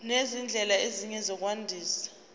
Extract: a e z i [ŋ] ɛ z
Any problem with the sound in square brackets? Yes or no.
yes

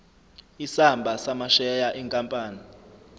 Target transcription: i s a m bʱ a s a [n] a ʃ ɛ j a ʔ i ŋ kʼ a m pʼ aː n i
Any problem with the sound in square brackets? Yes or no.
yes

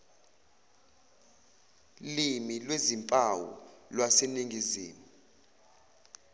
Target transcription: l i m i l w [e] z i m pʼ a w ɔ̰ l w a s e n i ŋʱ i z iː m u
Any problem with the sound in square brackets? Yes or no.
no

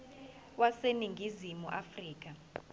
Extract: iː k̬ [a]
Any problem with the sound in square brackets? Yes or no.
no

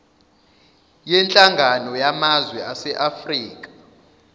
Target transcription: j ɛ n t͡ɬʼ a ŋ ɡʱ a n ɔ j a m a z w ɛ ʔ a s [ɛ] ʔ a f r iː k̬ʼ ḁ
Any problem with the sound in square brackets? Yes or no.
no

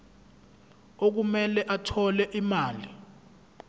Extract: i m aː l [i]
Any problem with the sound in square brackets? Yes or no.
no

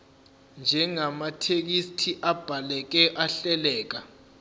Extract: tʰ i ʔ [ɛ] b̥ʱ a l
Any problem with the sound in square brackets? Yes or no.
yes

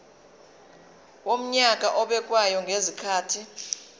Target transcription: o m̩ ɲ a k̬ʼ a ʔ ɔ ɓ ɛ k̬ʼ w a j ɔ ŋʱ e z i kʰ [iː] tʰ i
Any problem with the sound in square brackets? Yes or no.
yes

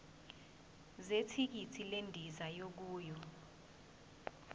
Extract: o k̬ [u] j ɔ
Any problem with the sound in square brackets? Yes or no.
yes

